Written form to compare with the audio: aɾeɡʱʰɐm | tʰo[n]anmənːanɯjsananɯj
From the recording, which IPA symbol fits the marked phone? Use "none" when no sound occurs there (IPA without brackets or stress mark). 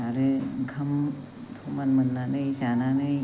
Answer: m